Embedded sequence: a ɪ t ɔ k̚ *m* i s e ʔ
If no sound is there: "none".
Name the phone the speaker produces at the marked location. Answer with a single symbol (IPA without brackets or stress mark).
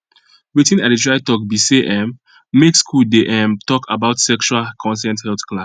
b